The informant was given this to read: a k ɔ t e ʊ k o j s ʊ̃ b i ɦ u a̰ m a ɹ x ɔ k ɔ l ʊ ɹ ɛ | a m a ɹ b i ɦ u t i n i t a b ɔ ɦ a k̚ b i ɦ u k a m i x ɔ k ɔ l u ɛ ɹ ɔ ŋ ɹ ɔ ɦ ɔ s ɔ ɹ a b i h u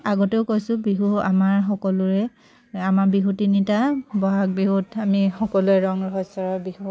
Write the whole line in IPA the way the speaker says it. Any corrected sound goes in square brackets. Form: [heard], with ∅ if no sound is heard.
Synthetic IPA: a [ɡ] ɔ t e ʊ k o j s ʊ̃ b i ɦ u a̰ m a ɹ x ɔ k ɔ l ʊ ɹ ɛ | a m a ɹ b i ɦ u t i n i t a b ɔ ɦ a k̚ b i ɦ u [t] a m i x ɔ k ɔ l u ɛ ɹ ɔ ŋ ɹ ɔ ɦ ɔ s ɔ ɹ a b i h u